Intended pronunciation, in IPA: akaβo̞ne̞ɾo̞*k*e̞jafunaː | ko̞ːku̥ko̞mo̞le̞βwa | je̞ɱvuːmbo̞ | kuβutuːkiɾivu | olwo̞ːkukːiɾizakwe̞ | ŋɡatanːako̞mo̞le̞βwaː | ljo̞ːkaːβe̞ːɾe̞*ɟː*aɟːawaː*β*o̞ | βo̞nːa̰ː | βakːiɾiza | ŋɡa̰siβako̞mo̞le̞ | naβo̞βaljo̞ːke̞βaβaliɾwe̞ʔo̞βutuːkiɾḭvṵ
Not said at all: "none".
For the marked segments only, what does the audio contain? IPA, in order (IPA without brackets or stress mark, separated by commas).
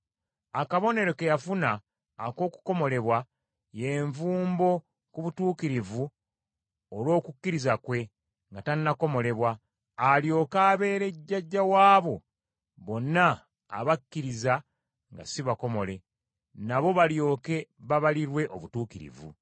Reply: k, ɟː, β